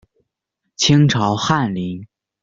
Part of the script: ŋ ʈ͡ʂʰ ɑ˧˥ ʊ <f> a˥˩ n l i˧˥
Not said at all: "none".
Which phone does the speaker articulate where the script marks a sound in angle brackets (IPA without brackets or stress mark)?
x